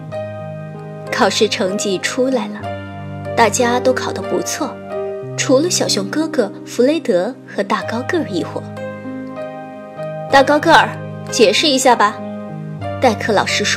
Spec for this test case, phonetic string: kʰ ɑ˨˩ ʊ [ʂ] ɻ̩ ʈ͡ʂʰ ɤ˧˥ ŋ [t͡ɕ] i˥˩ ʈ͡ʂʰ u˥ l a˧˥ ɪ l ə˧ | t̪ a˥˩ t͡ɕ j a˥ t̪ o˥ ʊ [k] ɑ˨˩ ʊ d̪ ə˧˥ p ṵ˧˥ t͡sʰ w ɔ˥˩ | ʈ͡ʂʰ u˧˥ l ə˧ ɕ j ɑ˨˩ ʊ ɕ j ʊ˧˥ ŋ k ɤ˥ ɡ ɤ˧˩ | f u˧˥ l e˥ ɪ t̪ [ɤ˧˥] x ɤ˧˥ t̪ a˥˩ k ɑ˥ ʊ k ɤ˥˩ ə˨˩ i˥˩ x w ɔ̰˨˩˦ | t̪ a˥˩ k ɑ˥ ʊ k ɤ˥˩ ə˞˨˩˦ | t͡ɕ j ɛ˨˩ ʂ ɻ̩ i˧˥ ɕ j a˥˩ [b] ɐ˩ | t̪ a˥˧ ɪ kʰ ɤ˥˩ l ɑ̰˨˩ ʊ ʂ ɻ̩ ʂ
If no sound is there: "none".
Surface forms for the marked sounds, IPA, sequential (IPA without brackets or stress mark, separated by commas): ʂ, t͡ɕ, kʰ, ɤ˧˥, b